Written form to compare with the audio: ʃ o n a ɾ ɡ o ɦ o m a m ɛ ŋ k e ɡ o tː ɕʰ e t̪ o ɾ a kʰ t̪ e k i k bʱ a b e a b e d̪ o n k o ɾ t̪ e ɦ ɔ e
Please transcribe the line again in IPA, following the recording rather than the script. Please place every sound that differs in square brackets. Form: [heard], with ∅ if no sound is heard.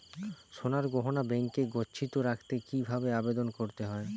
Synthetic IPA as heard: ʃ o n a ɾ ɡ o ɦ o [n] a [b] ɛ ŋ k e ɡ o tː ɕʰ [i] t̪ o ɾ a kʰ t̪ e k i [∅] bʱ a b e a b e d̪ o n k o ɾ t̪ e ɦ ɔ e